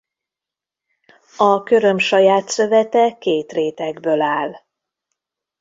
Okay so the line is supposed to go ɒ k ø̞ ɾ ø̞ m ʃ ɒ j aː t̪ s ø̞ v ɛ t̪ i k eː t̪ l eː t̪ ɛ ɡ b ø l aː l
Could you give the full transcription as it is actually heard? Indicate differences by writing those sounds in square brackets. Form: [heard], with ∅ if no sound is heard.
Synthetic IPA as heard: ɒ k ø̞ ɾ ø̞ m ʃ ɒ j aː t̪ s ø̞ v ɛ t̪ [ɛ] k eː t̪ [r] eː t̪ ɛ ɡ b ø l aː l